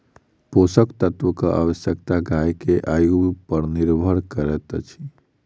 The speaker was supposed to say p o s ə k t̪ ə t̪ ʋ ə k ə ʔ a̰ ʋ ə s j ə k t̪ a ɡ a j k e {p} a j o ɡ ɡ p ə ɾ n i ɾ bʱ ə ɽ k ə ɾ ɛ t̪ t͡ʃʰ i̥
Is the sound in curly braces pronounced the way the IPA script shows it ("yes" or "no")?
no